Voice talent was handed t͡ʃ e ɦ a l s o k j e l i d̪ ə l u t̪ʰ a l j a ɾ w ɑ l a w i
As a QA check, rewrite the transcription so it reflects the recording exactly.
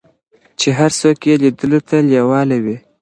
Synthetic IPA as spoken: t͡ʃ e ɦ a ɾ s o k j e l i d̪ ə l o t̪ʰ a l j a w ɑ l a w i

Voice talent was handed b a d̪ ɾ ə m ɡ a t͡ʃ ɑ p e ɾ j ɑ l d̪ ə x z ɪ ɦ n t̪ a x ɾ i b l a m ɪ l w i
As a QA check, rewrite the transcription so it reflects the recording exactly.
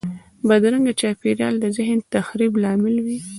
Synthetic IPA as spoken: b a d̪ ɾ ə ŋ ɡ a t͡ʃ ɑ p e ɾ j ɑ l d̪ ə z ɪ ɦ n t̪ a x ɾ i b l ɑ m ɪ l w i

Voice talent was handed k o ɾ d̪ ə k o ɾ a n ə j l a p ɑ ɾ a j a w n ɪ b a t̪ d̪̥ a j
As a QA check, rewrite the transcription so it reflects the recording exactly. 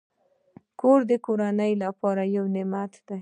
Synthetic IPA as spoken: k o ɾ d̪ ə k o ɾ a n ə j l a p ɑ ɾ a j a w n ɪ m a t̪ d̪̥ a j

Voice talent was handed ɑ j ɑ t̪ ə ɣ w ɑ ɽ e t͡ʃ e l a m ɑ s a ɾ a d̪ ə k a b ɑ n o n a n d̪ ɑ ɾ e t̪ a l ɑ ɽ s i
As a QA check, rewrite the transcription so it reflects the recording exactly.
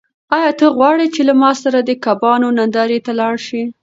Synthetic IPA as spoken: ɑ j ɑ t̪ ə ɣ w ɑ ɽ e t͡ʃ e l a m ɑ s a ɾ a d̪ ə k a b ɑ n o n a n d̪ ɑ ɾ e t̪ a l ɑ ɽ ʃ i

